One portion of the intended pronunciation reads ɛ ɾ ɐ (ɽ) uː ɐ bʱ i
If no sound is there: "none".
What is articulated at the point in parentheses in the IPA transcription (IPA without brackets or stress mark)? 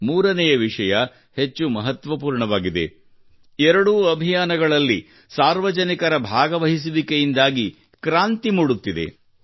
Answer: ɽ